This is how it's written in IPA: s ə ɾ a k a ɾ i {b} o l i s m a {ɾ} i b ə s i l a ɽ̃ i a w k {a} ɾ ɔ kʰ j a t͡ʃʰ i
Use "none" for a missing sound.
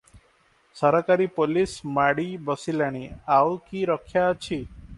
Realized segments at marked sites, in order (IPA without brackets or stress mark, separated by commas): p, ɽ, i